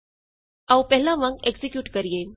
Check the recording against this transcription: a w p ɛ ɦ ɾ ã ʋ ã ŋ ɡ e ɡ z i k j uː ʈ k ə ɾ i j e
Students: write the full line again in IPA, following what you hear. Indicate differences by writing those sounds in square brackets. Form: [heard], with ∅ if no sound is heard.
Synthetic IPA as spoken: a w p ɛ ɦ [l] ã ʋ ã ŋ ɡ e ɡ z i k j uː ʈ k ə ɾ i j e